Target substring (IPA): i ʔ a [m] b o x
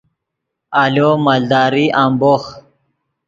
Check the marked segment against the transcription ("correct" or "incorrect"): correct